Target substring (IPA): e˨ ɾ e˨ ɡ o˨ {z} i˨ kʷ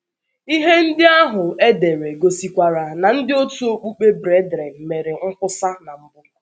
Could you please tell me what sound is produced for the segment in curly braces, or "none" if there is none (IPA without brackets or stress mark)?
s